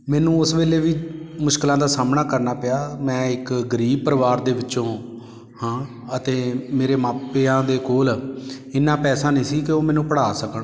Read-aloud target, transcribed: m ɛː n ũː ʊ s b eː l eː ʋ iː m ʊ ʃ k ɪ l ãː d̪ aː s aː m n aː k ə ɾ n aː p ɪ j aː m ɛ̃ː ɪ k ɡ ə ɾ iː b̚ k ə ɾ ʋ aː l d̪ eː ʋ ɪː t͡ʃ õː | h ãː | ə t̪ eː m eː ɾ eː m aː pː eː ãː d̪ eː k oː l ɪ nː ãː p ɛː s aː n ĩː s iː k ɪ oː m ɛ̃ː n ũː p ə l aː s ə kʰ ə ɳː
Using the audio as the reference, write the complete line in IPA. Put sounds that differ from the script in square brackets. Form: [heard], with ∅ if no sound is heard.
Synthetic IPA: m ɛː n ũː ʊ s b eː l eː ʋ iː m ʊ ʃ k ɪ l ãː d̪ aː s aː m n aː k ə ɾ n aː p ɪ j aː m ɛ̃ː ɪ k ɡ ə ɾ iː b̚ [p] ə ɾ ʋ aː [ɾ] d̪ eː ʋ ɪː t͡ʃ õː | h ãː | ə t̪ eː m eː ɾ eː m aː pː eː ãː d̪ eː k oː l ɪ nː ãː p ɛː s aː n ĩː s iː k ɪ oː m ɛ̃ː n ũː p ə [ɽ] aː s ə [k] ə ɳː